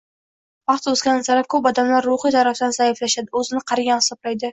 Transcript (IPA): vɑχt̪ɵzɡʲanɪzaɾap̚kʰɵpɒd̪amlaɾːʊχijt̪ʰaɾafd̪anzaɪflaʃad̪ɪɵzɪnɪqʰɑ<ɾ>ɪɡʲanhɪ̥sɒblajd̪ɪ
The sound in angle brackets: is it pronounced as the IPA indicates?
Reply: yes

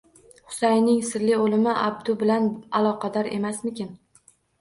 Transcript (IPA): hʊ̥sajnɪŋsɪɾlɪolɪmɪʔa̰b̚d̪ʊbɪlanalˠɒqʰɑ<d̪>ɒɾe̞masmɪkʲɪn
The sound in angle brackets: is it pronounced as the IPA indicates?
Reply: yes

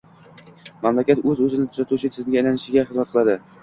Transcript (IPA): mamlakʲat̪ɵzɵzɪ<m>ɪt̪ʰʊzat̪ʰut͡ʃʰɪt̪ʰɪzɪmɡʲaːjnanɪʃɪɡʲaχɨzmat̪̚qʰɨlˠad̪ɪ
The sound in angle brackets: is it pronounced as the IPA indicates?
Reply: no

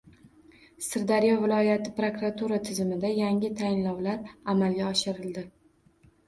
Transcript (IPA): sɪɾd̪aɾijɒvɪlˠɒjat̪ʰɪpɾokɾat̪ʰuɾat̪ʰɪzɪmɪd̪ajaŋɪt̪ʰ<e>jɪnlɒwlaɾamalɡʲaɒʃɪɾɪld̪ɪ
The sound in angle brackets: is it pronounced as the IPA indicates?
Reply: no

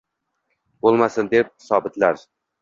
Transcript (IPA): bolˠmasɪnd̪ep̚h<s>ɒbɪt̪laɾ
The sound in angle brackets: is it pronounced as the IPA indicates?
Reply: yes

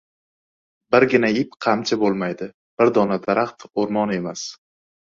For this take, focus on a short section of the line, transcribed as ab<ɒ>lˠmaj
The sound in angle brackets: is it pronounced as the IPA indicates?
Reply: no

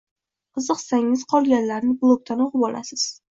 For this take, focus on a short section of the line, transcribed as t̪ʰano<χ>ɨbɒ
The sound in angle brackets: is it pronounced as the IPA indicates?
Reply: no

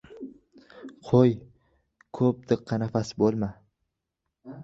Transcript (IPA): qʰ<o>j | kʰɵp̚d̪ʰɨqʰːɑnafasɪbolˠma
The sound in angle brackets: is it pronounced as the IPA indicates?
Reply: yes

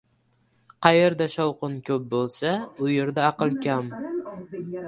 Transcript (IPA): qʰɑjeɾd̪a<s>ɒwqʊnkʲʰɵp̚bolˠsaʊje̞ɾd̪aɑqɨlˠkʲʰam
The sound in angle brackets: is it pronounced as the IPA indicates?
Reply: no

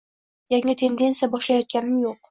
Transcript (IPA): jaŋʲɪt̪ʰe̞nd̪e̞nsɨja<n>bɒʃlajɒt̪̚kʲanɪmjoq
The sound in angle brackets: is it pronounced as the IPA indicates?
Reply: no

